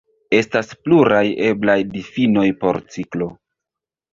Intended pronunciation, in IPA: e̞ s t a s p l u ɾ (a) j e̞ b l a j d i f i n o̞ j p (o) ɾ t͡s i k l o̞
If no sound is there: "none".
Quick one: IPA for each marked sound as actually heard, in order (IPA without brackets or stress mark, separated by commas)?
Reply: a, o